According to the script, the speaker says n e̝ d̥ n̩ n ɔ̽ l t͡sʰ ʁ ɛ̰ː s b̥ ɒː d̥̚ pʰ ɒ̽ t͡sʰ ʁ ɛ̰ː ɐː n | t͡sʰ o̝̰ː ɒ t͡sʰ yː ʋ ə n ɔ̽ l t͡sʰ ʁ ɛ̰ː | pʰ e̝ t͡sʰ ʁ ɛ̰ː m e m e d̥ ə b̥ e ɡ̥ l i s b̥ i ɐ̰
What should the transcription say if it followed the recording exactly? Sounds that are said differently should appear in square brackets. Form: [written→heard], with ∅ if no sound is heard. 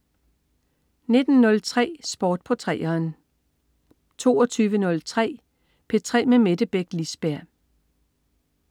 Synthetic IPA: n e̝ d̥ n̩ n ɔ̽ l t͡sʰ ʁ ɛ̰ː s b̥ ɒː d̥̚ pʰ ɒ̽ t͡sʰ ʁ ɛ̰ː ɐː n | t͡sʰ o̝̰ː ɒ t͡sʰ yː ʋ ə n ɔ̽ l t͡sʰ ʁ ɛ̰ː | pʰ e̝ t͡sʰ ʁ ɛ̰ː m e m e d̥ ə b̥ e ɡ̥ l i s b̥ [i→æ] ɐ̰